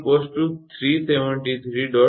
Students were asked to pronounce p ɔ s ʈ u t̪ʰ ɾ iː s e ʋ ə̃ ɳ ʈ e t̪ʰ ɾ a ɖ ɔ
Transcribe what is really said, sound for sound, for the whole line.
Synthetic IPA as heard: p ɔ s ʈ u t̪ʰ ɾ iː s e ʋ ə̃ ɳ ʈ i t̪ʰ ɾ i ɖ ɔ